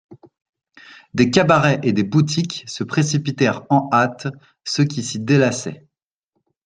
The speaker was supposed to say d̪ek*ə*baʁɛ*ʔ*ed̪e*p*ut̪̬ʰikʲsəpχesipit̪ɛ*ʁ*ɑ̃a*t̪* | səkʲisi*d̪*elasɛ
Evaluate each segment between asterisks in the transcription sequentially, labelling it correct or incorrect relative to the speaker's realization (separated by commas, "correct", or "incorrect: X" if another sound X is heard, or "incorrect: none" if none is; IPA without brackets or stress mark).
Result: incorrect: a, correct, incorrect: b, correct, correct, correct